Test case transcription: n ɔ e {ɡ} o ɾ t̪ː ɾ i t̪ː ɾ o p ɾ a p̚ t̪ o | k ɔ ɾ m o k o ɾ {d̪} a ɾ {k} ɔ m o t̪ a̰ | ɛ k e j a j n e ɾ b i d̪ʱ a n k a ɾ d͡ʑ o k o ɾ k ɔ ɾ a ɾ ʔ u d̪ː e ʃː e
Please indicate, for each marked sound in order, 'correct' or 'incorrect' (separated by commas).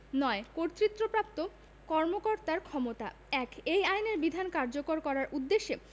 incorrect, incorrect, incorrect